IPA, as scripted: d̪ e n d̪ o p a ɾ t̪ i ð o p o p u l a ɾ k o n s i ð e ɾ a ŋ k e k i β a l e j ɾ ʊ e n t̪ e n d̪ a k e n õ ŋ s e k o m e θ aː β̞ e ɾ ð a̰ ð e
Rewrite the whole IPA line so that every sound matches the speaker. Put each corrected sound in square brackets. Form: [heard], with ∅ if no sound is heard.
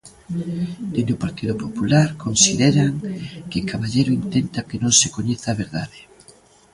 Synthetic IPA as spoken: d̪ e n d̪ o p a ɾ t̪ i ð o p o p u l a ɾ k o n s i ð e ɾ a ŋ k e k [a] β a [ʎ] e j ɾ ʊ [i] n t̪ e n [t̪] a k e n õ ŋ s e k o [ɲ] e θ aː β̞ e ɾ ð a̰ ð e